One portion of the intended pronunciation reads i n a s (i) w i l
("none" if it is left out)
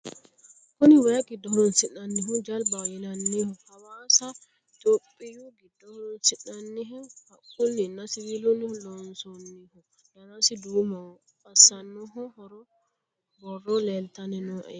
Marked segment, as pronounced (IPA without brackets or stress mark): i